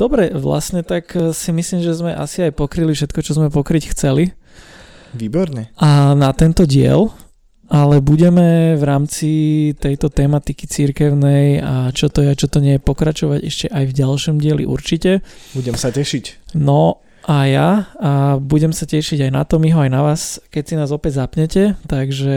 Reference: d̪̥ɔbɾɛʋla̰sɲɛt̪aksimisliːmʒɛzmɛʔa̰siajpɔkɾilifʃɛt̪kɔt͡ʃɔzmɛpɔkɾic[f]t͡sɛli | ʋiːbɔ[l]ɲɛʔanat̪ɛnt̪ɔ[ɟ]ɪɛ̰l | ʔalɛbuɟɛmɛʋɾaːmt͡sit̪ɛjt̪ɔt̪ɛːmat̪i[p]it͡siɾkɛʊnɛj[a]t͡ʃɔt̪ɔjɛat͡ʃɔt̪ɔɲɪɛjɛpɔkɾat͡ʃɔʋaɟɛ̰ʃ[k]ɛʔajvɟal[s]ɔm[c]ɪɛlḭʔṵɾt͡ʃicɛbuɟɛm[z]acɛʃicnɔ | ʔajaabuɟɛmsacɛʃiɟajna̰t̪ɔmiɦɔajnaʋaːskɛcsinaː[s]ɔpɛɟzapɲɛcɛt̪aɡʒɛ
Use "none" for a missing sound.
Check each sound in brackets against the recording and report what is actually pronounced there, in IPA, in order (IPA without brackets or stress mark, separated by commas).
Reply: x, ɾ, ɟ, k, a, c, ʃ, ɟ, s, z